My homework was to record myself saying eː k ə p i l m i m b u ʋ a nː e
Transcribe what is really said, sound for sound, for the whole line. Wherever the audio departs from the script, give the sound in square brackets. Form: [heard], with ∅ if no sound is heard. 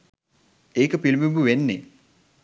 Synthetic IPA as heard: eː k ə p i l m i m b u ʋ [e] nː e